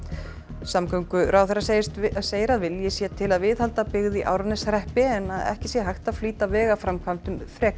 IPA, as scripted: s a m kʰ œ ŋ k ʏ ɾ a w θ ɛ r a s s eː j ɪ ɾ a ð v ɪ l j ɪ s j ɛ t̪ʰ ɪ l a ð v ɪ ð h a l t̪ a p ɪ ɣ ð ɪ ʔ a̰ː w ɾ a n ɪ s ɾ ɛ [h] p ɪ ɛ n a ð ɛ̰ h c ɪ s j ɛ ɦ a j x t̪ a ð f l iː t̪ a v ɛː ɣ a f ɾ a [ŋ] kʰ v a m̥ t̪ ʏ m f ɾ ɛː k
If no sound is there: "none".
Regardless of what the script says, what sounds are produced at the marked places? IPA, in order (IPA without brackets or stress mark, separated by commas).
h, m